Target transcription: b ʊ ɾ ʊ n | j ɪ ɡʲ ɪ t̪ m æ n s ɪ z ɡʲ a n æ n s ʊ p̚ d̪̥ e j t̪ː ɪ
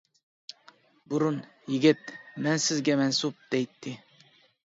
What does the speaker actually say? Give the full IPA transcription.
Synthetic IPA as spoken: b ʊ ɾ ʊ n | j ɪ ɡʲ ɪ t̪ m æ n s ɪ z ɡʲ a m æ n s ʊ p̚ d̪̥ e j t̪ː ɪ